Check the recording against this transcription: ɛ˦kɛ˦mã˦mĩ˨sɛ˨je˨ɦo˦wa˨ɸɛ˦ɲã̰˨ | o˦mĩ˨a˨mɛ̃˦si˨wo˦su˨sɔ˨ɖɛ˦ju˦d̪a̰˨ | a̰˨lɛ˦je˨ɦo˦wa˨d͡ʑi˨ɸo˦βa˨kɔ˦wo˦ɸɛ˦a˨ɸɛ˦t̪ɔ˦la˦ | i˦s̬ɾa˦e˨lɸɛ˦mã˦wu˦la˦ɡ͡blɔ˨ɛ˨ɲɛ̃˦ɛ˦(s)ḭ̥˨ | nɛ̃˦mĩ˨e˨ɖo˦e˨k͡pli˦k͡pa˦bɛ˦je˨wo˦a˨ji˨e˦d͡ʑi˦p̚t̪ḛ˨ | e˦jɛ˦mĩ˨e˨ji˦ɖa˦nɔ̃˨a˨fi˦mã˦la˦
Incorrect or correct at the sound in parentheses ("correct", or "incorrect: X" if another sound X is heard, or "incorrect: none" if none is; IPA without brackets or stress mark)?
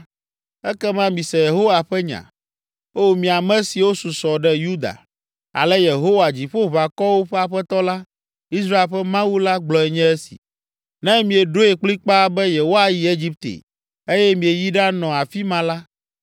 correct